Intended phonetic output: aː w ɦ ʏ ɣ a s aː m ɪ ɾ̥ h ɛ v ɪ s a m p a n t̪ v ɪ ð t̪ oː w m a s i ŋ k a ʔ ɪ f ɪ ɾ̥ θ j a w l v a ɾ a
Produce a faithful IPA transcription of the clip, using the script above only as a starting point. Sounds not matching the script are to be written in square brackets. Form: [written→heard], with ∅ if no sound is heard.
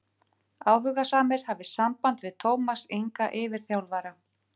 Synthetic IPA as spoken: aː w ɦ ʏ ɣ a s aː m ɪ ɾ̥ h [ɛ→a] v ɪ s a m p a n t̪ v ɪ ð [t̪→t̪ʰ] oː w m a s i ŋ k a ʔ ɪ [f→v] ɪ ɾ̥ θ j a w l v a ɾ a